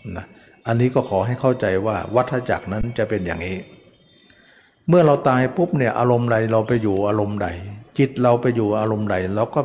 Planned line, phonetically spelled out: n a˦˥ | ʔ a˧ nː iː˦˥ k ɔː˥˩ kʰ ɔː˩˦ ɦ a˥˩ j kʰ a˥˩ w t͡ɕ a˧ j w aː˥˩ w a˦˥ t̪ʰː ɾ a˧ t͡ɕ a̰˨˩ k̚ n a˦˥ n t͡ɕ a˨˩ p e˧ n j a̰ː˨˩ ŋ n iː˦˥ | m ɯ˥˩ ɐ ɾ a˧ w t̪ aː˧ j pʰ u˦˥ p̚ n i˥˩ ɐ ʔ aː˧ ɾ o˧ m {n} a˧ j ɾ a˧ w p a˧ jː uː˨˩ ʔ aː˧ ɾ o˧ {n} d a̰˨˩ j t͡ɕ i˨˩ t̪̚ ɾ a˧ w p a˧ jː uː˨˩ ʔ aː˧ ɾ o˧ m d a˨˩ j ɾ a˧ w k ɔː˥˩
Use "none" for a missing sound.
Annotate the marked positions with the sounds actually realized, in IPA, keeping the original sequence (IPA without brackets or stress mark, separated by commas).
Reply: d, m